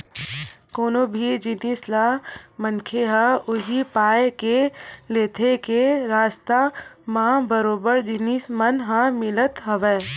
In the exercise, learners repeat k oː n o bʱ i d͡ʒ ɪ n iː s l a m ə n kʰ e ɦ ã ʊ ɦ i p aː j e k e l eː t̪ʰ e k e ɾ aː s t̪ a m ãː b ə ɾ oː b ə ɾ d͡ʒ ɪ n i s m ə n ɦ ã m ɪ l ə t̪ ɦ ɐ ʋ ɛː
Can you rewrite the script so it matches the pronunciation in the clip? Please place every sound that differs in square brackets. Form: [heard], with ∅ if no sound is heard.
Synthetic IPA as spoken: k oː n o bʱ i d͡ʒ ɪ n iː s l a m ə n kʰ e ɦ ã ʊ ɦ i p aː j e k e l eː t̪ʰ e k e ɾ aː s t̪ a m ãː b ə ɾ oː b ə ɾ d͡ʒ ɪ n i s m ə n ɦ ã m ɪ l ə t̪ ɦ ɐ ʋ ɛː